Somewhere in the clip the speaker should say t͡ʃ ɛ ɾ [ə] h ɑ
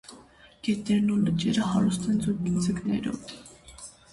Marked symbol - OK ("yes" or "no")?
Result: yes